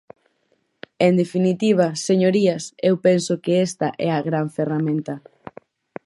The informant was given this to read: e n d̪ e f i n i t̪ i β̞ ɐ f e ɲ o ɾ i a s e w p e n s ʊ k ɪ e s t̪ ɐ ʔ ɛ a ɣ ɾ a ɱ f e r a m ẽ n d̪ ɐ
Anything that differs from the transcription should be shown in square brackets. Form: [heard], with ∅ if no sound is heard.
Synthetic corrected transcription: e n d̪ e f i n i t̪ i β̞ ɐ [s] e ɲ o ɾ i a s e w p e n s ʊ k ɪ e s t̪ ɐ ʔ ɛ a ɣ ɾ a ɱ f e r a m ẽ n [t̪] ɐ